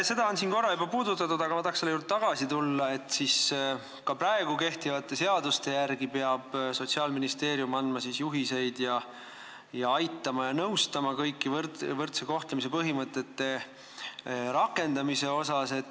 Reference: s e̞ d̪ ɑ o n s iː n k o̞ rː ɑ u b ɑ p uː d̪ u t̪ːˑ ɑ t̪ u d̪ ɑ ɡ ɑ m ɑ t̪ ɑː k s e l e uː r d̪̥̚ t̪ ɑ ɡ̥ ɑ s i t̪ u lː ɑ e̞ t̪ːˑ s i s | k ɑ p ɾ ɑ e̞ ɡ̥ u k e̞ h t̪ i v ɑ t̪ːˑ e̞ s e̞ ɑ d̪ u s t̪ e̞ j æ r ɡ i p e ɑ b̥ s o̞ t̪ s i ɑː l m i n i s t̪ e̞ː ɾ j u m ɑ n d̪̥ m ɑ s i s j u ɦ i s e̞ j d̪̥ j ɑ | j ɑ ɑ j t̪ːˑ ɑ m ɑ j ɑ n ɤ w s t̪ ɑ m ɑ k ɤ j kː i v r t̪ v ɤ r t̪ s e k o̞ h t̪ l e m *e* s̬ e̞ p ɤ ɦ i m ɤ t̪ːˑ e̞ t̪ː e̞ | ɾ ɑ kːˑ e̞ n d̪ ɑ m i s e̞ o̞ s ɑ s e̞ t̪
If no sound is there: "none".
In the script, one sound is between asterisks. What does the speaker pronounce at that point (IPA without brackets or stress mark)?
i